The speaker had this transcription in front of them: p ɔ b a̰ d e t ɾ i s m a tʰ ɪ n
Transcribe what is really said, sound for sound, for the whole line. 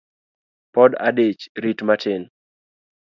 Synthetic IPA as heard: p ɔ d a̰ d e t͡ʃ ɾ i t m a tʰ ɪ n